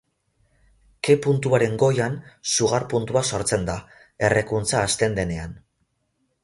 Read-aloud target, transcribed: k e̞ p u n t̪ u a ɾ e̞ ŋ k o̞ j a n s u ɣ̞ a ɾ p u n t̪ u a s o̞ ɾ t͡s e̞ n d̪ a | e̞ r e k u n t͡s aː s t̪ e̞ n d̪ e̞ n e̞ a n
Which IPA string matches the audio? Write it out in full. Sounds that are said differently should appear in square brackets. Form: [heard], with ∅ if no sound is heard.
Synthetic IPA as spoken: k e̞ p u n t̪ u a ɾ e̞ ŋ [ɡ] o̞ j a n s u ɣ̞ a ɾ p u n t̪ u a s o̞ ɾ t͡s e̞ n d̪ a | e̞ r e k u n t͡s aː s t̪ e̞ n d̪ e̞ n e̞ a n